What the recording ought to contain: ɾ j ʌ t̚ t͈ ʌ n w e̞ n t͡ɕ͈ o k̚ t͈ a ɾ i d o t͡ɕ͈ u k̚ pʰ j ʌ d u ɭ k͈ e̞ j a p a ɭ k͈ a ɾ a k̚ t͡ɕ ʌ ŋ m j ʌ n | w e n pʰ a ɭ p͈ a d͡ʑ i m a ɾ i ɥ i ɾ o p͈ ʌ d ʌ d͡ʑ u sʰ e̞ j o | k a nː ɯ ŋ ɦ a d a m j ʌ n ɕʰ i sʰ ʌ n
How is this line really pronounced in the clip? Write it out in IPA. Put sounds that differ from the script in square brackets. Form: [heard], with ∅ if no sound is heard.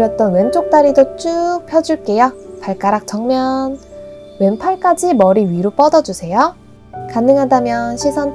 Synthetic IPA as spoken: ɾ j ʌ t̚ t͈ ʌ n w e̞ n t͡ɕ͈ o k̚ t͈ a ɾ i d o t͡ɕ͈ u k̚ pʰ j ʌ [d͡ʑ] u ɭ k͈ e̞ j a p a ɭ k͈ a ɾ a k̚ t͡ɕ ʌ ŋ m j ʌ n | w e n pʰ a ɭ [k͈] a d͡ʑ i m [ʌ] ɾ i ɥ i ɾ o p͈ ʌ d ʌ d͡ʑ u sʰ e̞ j o | k a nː ɯ ŋ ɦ a d a m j ʌ n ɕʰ i sʰ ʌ n